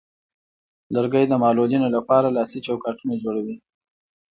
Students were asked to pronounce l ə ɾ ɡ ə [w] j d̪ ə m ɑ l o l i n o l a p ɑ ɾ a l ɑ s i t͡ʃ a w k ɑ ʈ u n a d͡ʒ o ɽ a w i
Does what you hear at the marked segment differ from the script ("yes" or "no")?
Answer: yes